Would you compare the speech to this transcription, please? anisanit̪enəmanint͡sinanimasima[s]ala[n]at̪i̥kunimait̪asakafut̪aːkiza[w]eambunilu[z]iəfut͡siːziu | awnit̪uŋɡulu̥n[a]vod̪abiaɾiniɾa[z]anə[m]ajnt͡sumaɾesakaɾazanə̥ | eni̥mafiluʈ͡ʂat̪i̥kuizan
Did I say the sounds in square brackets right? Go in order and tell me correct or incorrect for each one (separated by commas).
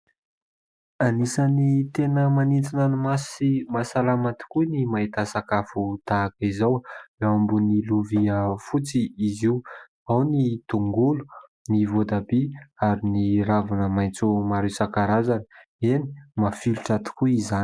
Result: correct, incorrect, correct, incorrect, incorrect, incorrect, correct